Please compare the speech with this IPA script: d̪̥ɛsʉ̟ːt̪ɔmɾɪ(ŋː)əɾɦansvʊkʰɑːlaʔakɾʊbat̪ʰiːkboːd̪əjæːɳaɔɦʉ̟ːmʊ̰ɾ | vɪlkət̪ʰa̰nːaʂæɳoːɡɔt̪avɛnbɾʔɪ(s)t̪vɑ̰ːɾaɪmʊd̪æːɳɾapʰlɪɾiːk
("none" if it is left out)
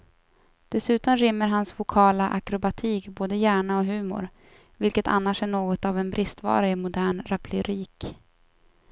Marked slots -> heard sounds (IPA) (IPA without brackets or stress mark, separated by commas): mː, s